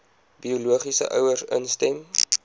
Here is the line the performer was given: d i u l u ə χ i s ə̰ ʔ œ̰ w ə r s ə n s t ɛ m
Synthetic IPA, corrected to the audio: b i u l u ə χ i s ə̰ ʔ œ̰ w ə r s ə n s t ɛ m